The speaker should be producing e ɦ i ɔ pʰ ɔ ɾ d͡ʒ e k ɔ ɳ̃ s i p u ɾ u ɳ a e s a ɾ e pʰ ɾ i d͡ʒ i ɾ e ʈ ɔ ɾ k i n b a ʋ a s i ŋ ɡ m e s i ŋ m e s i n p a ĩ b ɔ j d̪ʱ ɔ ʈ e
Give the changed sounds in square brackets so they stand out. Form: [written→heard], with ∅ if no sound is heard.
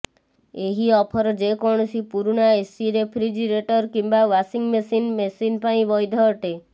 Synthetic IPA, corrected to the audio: e ɦ i ɔ pʰ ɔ ɾ d͡ʒ e k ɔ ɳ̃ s i p u ɾ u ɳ a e s [a→i] ɾ e pʰ ɾ i d͡ʒ i ɾ e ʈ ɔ ɾ k i [n→m] b a ʋ a s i ŋ ɡ m e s i [ŋ→n] m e s i n p a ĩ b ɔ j d̪ʱ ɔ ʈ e